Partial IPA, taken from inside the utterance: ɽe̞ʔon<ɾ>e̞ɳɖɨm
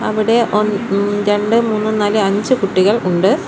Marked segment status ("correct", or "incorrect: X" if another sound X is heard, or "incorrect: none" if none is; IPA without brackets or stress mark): correct